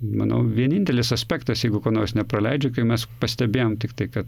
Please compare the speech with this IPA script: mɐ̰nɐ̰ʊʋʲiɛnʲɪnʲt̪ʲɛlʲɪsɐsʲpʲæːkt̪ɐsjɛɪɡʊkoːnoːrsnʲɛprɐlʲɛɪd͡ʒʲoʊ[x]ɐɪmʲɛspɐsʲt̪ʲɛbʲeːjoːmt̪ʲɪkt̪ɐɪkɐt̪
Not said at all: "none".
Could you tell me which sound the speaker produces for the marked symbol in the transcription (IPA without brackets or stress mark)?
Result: k